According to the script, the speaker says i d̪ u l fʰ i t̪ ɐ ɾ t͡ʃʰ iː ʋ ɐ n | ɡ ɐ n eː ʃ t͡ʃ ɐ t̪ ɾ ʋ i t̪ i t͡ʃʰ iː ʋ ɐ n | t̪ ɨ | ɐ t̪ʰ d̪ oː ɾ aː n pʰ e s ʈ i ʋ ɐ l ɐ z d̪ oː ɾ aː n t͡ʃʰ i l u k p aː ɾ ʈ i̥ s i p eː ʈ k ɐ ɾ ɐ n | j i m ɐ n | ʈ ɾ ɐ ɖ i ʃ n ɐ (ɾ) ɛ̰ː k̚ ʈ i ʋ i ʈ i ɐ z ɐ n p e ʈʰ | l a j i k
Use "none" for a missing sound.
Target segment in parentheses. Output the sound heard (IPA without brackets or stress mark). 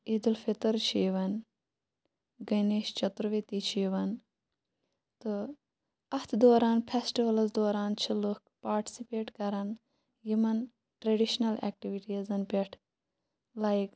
l